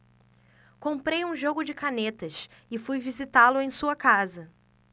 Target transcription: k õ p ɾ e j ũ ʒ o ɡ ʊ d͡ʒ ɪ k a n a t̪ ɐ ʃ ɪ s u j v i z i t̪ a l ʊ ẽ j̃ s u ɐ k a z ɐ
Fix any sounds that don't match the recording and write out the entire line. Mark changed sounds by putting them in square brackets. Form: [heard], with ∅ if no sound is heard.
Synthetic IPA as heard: k õ p ɾ e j ũ ʒ o ɡ ʊ d͡ʒ ɪ k a n [e] t̪ ɐ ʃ ɪ [f] u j v i z i t̪ a l ʊ ẽ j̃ s u ɐ k a z ɐ